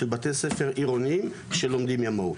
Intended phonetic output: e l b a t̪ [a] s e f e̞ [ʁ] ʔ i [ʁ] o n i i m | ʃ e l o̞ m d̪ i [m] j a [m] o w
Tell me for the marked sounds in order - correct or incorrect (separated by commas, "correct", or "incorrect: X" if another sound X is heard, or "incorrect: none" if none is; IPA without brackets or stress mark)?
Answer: incorrect: e, correct, correct, correct, correct